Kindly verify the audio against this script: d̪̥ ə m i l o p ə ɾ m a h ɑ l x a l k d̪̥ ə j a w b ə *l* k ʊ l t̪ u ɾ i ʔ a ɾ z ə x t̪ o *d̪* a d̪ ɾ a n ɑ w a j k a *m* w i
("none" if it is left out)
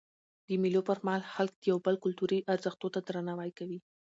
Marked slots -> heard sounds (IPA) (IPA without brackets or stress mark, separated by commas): l, t̪, none